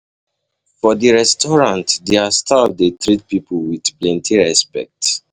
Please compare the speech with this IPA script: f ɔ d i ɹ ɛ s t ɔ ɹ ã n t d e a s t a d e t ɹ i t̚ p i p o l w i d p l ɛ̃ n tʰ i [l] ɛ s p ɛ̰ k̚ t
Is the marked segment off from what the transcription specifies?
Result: yes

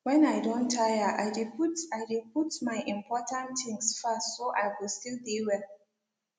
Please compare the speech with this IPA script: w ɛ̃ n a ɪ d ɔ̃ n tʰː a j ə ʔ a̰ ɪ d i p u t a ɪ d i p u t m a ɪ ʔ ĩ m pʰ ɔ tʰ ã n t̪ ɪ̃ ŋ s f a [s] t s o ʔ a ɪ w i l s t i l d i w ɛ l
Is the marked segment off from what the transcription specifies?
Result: no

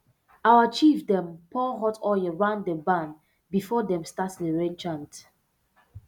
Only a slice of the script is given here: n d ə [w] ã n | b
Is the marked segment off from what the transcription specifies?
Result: yes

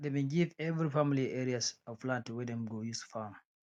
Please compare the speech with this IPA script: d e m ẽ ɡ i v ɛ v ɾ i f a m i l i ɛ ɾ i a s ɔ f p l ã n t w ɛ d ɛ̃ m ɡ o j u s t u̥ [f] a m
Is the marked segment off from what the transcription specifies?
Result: no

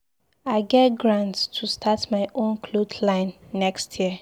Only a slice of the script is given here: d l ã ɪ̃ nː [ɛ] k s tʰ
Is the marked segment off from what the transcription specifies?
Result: no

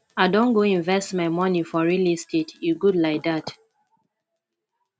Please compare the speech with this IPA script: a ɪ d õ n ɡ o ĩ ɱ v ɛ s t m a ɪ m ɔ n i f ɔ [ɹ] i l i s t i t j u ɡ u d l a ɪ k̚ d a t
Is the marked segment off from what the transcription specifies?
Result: no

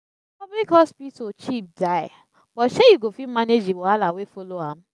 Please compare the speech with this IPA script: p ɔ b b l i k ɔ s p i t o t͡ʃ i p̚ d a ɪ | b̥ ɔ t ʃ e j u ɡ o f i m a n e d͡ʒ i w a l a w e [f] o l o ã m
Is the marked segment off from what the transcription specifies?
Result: no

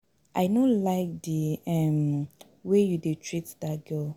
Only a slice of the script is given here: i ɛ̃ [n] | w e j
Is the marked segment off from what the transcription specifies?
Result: yes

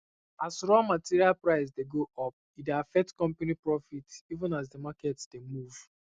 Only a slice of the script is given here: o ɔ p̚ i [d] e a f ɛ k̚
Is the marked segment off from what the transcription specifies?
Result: no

